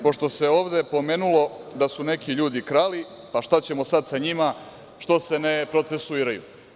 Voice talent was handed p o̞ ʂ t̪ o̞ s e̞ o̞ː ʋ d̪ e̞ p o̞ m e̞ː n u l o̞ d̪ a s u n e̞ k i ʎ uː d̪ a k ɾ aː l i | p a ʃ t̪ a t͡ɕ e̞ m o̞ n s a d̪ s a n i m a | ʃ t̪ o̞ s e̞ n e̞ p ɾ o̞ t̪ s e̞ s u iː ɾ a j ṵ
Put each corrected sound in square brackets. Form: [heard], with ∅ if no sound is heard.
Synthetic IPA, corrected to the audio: p o̞ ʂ t̪ o̞ s e̞ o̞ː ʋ d̪ e̞ p o̞ m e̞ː n u l o̞ d̪ a s u n e̞ k i ʎ uː d̪ [i] k ɾ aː l i | p a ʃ t̪ a t͡ɕ e̞ m o̞ [∅] s a d̪ s a [ɲ] i m a | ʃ t̪ o̞ s e̞ n e̞ p ɾ o̞ t̪ s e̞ s u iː ɾ a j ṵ